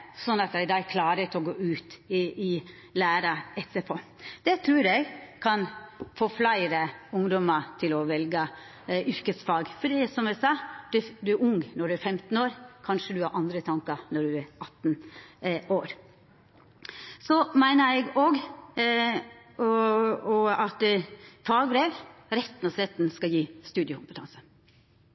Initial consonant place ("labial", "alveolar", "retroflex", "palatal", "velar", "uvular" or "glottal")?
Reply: alveolar